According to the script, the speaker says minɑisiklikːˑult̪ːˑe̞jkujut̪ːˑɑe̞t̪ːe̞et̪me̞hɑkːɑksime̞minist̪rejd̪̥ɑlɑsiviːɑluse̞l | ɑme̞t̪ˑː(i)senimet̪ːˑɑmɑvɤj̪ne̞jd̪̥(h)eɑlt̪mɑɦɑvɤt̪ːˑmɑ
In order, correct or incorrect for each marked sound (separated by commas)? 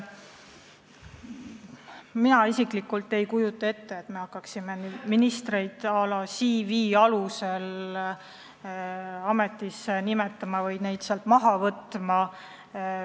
correct, incorrect